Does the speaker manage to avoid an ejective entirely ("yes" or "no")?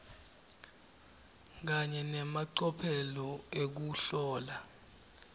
yes